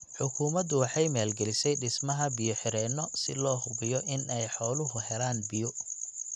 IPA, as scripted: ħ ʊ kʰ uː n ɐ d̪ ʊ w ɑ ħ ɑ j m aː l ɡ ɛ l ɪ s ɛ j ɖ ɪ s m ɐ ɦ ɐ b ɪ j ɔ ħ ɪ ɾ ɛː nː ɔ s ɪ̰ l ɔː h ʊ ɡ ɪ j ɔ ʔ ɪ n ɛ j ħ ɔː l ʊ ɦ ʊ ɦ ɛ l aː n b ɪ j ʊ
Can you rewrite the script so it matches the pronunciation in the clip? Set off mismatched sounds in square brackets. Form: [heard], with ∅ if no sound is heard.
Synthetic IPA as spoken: ħ ʊ kʰ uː [m] ɐ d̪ ʊ w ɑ ħ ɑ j m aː l ɡ ɛ l ɪ s ɛ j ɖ ɪ s m ɐ ɦ ɐ b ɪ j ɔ ħ ɪ ɾ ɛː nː ɔ s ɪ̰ l ɔː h ʊ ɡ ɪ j ɔ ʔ ɪ n ɛ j ħ ɔː l ʊ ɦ ʊ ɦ ɛ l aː n b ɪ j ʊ